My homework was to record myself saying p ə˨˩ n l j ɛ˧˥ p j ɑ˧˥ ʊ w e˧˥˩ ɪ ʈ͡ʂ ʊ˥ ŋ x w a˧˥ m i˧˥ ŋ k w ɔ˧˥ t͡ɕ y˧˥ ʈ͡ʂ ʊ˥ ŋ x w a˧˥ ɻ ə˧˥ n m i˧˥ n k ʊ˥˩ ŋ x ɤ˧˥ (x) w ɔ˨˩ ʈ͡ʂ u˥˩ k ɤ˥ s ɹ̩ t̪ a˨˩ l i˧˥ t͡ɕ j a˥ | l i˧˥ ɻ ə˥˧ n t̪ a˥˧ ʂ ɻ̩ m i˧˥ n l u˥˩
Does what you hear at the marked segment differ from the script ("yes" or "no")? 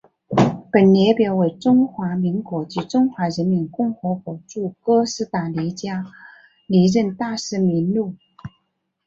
yes